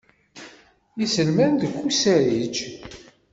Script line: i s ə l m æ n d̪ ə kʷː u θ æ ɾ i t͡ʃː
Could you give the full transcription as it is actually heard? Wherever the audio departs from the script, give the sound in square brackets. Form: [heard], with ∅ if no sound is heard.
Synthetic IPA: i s ə l m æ n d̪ ə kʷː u [s] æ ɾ i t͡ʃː